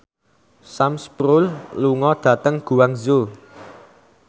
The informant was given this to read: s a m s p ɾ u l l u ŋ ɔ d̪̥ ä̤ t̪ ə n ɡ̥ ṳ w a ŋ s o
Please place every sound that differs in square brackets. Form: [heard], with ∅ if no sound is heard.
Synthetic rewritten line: s a m s p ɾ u l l u ŋ ɔ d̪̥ ä̤ t̪ ə [ŋ] ɡ̥ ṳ w a ŋ [z] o